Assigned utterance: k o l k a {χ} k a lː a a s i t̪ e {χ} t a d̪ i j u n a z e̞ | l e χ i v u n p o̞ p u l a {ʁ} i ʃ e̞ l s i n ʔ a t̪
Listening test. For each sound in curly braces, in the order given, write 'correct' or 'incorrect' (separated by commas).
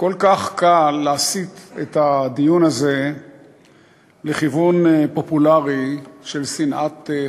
correct, incorrect, correct